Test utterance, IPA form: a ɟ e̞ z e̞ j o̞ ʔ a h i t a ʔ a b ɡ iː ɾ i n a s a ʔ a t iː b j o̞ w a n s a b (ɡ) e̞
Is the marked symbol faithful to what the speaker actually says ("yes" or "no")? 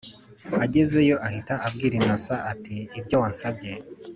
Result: no